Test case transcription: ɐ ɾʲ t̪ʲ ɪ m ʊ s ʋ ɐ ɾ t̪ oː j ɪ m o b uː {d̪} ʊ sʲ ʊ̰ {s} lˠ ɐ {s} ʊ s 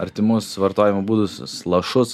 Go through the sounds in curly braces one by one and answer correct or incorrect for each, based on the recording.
correct, correct, incorrect: ʃ

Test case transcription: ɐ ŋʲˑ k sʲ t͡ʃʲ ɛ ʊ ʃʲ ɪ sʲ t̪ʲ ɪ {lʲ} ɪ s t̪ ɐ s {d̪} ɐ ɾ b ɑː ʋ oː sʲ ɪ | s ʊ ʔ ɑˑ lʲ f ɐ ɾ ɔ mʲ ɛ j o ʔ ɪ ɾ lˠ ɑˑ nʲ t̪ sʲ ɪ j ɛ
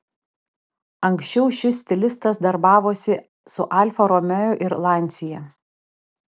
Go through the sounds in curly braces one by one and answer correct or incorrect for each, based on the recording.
correct, correct

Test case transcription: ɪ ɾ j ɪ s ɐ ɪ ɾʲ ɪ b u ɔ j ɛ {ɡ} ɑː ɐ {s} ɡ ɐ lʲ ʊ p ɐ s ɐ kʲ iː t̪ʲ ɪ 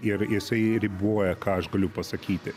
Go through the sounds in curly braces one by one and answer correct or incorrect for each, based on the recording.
incorrect: k, incorrect: ʃ

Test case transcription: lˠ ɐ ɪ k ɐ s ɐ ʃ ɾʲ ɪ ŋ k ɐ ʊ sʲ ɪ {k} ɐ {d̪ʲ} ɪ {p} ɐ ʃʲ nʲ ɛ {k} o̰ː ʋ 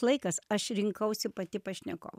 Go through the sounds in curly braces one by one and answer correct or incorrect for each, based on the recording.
incorrect: p, incorrect: t̪ʲ, correct, correct

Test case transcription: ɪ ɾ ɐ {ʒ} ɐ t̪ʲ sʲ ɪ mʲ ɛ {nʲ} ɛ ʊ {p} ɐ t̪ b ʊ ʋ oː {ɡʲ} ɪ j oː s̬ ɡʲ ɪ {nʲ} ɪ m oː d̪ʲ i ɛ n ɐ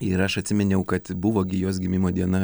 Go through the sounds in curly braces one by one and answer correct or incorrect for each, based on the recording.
incorrect: ʃ, correct, incorrect: k, correct, incorrect: mʲ

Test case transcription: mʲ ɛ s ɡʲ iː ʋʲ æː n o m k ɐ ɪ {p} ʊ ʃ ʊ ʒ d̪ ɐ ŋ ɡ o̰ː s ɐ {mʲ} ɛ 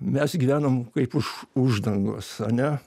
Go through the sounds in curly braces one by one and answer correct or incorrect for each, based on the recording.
correct, incorrect: nʲ

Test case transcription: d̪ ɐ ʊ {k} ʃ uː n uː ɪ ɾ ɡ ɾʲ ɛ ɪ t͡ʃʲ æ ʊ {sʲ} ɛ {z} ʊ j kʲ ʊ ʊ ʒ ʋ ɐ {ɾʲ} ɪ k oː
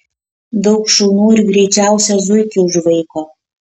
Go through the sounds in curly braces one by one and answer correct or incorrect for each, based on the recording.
correct, correct, correct, incorrect: none

